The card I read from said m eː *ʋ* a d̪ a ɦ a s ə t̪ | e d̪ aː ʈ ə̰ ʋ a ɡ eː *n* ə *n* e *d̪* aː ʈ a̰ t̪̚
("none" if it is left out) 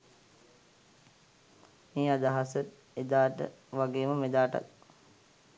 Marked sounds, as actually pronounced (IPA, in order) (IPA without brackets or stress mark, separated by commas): none, m, m, d̪